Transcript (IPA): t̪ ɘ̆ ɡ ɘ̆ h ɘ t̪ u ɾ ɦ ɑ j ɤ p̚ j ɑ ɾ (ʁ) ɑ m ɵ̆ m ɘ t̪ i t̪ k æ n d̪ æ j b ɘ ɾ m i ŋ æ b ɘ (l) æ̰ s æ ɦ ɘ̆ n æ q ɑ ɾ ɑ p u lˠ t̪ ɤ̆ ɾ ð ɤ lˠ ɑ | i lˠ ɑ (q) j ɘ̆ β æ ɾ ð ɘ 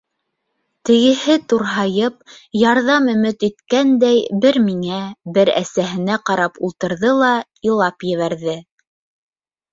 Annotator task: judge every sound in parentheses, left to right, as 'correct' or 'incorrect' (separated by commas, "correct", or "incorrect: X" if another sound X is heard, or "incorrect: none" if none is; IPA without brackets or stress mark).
incorrect: ð, incorrect: ɾ, incorrect: p